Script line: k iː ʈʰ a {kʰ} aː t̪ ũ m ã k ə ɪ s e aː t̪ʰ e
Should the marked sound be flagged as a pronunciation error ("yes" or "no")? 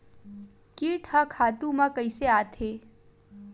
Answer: no